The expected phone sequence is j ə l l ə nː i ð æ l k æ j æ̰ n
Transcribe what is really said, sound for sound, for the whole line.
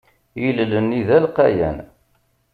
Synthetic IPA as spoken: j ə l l ə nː i ð æ l q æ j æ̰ n

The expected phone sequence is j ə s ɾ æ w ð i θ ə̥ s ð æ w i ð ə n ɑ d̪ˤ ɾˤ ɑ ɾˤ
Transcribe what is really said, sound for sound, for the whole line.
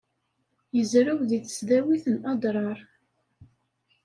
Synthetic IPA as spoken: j ə z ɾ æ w ð i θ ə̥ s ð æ w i θ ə n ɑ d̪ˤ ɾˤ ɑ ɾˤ

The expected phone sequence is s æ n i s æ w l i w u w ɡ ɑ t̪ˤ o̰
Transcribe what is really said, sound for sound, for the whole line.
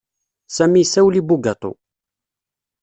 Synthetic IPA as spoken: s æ m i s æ w l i b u ɡ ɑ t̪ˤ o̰

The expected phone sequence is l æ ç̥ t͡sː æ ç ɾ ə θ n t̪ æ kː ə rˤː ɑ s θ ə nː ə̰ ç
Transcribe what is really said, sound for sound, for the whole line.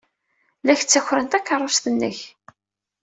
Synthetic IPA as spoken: l æ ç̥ t͡sː æ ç ɾ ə n t̪ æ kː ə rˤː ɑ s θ ə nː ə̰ ç

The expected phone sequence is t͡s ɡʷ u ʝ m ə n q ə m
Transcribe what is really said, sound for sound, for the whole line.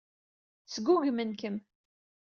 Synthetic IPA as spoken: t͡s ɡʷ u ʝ m ə n k ə m

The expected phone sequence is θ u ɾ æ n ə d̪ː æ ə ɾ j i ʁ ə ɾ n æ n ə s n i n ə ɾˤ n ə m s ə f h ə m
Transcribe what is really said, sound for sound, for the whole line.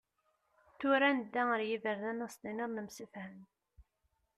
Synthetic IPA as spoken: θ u ɾ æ n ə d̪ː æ ə ɾ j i v ə ɾ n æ n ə s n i n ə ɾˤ n ə m s ə f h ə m

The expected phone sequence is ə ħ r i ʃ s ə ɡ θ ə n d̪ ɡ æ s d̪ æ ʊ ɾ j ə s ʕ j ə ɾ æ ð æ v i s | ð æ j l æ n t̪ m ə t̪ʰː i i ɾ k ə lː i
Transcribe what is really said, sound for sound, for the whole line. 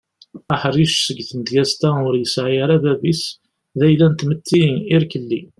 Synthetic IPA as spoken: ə ħ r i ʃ s ə ɡ θ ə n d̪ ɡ æ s t̪ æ ʊ ɾ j ə s ʕ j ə ɾ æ ð æ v i s | ð æ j l æ n t̪ m ə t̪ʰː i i ɾ k ə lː i

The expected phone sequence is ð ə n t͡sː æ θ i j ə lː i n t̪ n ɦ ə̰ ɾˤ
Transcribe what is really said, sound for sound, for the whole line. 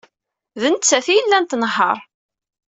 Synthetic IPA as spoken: ð ə n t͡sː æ θ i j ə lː æ n t̪ n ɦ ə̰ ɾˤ

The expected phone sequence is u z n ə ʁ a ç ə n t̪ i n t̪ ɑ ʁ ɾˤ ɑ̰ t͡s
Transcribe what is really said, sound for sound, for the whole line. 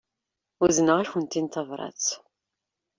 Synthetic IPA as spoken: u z n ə ʁ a ç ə n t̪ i n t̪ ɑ v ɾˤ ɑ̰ t͡s

